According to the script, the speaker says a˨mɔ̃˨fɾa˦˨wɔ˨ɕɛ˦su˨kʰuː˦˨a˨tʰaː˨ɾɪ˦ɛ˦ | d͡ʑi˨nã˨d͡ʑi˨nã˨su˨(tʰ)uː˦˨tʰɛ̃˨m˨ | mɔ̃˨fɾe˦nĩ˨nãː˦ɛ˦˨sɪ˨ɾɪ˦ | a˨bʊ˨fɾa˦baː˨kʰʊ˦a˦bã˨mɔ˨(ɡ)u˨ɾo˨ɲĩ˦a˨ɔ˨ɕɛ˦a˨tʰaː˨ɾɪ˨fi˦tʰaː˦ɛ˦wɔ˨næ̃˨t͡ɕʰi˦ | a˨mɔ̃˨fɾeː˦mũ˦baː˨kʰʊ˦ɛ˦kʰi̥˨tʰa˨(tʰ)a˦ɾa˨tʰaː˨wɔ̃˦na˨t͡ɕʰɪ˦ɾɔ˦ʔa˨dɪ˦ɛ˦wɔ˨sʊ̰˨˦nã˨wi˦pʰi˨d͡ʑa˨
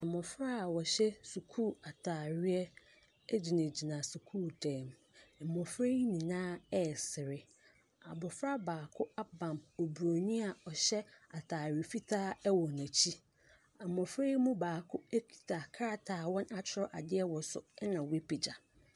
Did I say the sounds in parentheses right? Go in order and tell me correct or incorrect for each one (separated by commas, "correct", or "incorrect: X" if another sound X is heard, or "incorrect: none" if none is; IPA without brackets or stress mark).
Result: incorrect: kʰ, incorrect: b, incorrect: kʰ